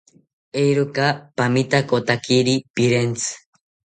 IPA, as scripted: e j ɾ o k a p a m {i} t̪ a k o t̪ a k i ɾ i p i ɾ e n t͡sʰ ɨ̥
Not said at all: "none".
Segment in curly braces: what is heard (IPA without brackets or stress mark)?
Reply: i